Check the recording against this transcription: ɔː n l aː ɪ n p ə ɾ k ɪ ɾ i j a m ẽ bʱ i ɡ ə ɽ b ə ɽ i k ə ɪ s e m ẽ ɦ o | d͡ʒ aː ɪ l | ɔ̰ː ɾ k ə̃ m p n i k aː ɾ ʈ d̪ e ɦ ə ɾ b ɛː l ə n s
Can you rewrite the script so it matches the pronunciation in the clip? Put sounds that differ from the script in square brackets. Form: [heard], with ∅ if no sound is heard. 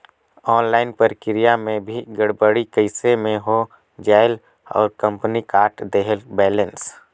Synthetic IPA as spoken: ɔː n l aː ɪ n p ə ɾ k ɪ ɾ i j a m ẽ bʱ i ɡ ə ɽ b ə ɽ i k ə ɪ s e m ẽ ɦ o | d͡ʒ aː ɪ l | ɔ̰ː ɾ k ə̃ m p n i k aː ɾ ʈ d̪ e ɦ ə [l] b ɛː l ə n s

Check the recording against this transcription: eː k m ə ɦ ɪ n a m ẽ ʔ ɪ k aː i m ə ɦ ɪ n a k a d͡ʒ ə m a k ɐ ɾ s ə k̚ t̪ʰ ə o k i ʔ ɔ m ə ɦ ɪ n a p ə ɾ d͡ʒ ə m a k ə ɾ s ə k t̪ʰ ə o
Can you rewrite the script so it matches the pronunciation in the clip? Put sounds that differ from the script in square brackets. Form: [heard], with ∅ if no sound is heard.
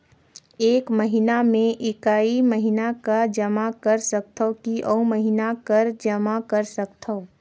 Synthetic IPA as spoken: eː k m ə ɦ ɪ n a m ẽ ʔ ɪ k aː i m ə ɦ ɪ n a k a d͡ʒ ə m a k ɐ ɾ s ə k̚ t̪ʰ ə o k i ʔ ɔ m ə ɦ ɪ n a [k] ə ɾ d͡ʒ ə m a k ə ɾ s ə k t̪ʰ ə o

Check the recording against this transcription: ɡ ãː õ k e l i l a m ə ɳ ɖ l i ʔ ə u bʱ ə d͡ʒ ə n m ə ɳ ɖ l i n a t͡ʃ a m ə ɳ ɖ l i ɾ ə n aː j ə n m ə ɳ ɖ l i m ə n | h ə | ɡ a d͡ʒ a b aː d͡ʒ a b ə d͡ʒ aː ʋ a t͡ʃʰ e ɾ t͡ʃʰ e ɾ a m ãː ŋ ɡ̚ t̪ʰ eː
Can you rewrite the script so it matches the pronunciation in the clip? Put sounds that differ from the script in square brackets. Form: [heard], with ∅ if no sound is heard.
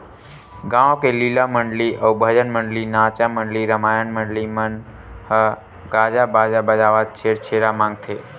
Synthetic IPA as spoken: ɡ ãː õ k e l i l a m ə ɳ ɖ l i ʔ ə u bʱ ə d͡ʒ ə n m ə ɳ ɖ l i n a t͡ʃ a m ə ɳ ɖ l i ɾ ə [m] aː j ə n m ə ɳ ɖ l i m ə n | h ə | ɡ a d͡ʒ a b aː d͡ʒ a b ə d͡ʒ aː ʋ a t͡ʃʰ e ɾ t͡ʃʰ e ɾ a m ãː ŋ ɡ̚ t̪ʰ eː

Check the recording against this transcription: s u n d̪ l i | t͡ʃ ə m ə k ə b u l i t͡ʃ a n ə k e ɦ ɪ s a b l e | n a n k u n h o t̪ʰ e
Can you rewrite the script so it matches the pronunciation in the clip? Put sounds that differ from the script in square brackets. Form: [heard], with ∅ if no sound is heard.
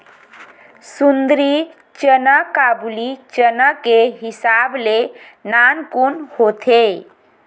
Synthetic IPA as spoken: s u n d̪ [ɾ] i | t͡ʃ ə [n] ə k [a] b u l i t͡ʃ [ə] n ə k e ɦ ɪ s a b l e | n a n k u n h o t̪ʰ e

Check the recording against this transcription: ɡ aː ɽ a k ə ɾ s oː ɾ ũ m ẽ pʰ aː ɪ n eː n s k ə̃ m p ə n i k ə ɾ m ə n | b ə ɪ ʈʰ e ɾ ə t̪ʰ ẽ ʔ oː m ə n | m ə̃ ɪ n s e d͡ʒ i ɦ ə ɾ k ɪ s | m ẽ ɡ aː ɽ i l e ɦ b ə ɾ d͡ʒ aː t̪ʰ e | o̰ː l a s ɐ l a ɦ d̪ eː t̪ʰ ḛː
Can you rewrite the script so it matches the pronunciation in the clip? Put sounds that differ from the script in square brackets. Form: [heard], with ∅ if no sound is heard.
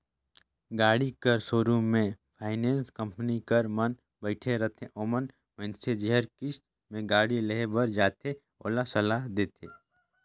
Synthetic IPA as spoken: ɡ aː ɽ [i] k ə ɾ s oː ɾ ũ m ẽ pʰ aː ɪ n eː n s k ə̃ m p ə n i k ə ɾ m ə n | b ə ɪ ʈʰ e ɾ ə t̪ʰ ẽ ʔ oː m ə n | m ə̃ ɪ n s e d͡ʒ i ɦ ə ɾ k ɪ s | m ẽ ɡ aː ɽ i l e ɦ b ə ɾ d͡ʒ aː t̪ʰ e | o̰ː l a s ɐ l a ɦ d̪ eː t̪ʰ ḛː

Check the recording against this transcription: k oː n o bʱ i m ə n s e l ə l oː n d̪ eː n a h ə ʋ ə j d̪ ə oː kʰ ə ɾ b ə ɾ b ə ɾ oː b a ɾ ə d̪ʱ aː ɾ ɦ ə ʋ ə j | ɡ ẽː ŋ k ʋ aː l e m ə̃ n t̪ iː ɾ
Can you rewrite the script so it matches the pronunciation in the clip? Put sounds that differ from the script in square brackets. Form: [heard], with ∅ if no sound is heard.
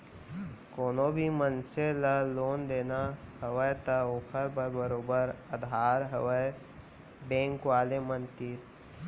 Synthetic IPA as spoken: k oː n o bʱ i m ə n s e l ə l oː n d̪ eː n a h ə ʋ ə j [t̪] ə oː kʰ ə ɾ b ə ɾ b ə ɾ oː b [ə] ɾ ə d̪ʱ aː ɾ ɦ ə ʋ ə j | [b] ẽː ŋ k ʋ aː l e m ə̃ n t̪ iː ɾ

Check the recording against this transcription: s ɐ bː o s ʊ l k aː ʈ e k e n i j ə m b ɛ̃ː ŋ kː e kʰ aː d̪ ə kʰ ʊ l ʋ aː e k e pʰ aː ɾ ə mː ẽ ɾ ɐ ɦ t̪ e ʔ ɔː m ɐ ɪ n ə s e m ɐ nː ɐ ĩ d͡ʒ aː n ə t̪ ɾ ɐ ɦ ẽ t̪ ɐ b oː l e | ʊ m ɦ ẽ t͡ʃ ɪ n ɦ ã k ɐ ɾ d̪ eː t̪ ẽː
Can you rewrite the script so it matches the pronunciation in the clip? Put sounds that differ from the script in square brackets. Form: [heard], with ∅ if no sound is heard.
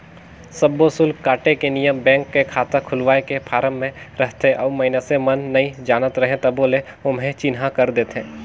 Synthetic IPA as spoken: s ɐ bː o s ʊ l k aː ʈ e k e n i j ə m b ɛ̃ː ŋ kː e kʰ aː [t̪] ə kʰ ʊ l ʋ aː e k e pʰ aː ɾ ə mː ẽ ɾ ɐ ɦ t̪ e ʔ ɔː m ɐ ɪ n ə s e m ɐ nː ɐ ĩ d͡ʒ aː n ə t̪ ɾ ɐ ɦ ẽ t̪ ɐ b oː l e | ʊ m ɦ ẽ t͡ʃ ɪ n ɦ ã k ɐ ɾ d̪ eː t̪ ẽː

